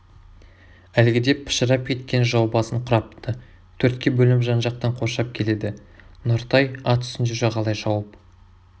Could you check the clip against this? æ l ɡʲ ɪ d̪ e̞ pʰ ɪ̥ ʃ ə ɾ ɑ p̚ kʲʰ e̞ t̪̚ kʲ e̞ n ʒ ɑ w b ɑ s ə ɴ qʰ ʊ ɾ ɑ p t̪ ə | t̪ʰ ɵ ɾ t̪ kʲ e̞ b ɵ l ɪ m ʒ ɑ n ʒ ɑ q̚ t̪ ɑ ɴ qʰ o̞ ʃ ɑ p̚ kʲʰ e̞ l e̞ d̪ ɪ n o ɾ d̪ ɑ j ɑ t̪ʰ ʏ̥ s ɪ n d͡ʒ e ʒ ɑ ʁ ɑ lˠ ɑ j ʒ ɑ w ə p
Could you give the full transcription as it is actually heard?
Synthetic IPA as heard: æ l ɡʲ ɪ d̪ e̞ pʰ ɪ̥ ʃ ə ɾ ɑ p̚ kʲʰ e̞ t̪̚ kʲ e̞ n ʒ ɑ w b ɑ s ə ɴ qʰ ʊ ɾ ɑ p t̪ ə | t̪ʰ ɵ ɾ t̪ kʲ e̞ b ɵ l ɪ m ʒ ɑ n ʒ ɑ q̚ t̪ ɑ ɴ qʰ o̞ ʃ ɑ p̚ kʲʰ e̞ l e̞ d̪ ɪ n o ɾ t̪ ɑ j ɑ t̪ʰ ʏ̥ s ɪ n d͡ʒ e ʒ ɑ ʁ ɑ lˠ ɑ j ʒ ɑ w ə p

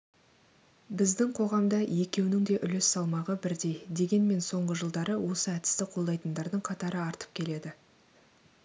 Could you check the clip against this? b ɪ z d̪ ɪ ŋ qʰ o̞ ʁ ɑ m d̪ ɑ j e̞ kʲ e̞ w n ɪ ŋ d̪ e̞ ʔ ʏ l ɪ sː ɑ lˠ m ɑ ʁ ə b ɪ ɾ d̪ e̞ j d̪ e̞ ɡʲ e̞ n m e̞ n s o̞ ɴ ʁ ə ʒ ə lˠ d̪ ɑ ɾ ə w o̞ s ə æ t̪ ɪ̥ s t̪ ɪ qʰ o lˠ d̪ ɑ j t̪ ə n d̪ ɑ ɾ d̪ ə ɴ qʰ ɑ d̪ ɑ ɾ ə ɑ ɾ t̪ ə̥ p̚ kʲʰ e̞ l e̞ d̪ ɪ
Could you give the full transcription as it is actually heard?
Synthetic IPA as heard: b ɪ z d̪ ɪ ŋ qʰ o̞ ʁ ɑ m d̪ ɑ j e̞ kʲ e̞ w n ɪ ŋ d̪ e̞ ʔ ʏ l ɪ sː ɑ lˠ m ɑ ʁ ə b ɪ ɾ d̪ e̞ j d̪ e̞ ɡʲ e̞ n m e̞ n s o̞ ɴ ʁ ə ʒ ə lˠ d̪ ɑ ɾ ə w o̞ s ə æ t̪ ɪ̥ s t̪ ɪ qʰ o lˠ d̪ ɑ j t̪ ə n d̪ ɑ ɾ d̪ ə ɴ qʰ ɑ t̪ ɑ ɾ ə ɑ ɾ t̪ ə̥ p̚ kʲʰ e̞ l e̞ d̪ ɪ

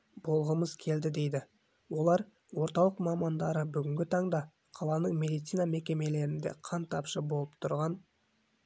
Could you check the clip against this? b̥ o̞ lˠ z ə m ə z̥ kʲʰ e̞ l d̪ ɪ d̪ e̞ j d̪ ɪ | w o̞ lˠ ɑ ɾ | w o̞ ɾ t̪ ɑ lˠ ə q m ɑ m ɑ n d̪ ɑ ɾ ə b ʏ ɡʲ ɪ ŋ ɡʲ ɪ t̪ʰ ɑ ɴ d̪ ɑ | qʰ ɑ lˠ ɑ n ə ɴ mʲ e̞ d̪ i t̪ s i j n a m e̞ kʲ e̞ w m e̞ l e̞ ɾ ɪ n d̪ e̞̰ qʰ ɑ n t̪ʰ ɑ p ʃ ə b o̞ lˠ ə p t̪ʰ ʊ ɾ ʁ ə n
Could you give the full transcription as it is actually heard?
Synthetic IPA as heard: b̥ o̞ lˠ ʁ ə m ə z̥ kʲʰ e̞ l d̪ ɪ d̪ e̞ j d̪ ɪ | w o̞ lˠ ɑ ɾ | w o̞ ɾ t̪ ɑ lˠ ə q m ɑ m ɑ n d̪ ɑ ɾ ə b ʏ ɡʲ ɪ ŋ ɡʲ ɪ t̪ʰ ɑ ɴ d̪ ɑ | qʰ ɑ lˠ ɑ n ə ɴ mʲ e̞ d̪ i t̪ s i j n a m e̞ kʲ e̞ m e̞ l e̞ ɾ ɪ n d̪ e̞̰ qʰ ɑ n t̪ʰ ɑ p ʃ ə b o̞ lˠ ə p t̪ʰ ʊ ɾ ʁ ɑ n

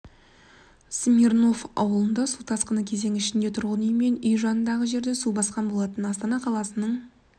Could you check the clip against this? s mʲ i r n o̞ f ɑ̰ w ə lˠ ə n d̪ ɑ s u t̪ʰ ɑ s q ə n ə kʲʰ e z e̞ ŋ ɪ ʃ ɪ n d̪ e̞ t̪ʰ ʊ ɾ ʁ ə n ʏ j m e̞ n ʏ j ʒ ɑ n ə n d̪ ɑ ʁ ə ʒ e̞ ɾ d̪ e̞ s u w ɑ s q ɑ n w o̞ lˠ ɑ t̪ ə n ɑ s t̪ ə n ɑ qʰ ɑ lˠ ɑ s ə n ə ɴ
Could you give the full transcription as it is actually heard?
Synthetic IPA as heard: s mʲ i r n o̞ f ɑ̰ w ə lˠ ə n d̪ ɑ s u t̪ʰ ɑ s q ə n ə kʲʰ e z e̞ ŋ ɪ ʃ ɪ n d̪ e̞ t̪ʰ ʊ ɾ ʁ ə n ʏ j m e̞ n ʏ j ʒ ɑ n ə n d̪ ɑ ʁ ə ʒ e̞ ɾ d̪ e̞ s u b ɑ s q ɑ n b o̞ lˠ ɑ t̪ ə n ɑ s t̪ ɑ n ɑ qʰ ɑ lˠ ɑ s ə n ə ɴ

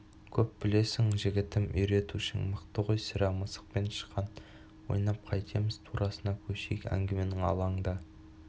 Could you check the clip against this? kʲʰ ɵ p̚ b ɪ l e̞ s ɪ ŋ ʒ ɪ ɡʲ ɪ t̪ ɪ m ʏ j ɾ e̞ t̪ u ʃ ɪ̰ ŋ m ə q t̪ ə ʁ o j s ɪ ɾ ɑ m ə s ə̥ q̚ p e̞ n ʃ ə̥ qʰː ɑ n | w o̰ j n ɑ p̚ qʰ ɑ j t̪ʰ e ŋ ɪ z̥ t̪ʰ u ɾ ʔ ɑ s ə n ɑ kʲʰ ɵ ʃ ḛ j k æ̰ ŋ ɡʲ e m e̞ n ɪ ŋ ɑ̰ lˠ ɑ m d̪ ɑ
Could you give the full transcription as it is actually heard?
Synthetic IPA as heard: kʲʰ ɵ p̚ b ɪ l e̞ s ɪ ŋ ʒ ɪ ɡʲ ɪ t̪ ɪ m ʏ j ɾ e̞ t̪ u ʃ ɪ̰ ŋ m ə q t̪ ə ʁ o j s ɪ ɾ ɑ m ə s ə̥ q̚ p e̞ n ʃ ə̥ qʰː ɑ n | w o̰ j n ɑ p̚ qʰ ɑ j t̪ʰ e m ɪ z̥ t̪ʰ u ɾ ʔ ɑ s ə n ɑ kʲʰ ɵ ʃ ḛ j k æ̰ ŋ ɡʲ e m e̞ n ɪ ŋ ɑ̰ lˠ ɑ ɴ d̪ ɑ

